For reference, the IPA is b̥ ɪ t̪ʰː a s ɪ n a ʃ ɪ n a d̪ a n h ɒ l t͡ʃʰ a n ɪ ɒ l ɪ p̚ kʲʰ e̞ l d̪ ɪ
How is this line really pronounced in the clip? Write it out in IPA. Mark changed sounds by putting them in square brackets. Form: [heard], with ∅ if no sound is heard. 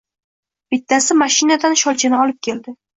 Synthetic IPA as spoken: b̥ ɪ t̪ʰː a s ɪ [m] a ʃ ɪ n a d̪ a n [ʃ] ɒ l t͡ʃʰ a n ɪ ɒ l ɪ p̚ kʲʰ e̞ l d̪ ɪ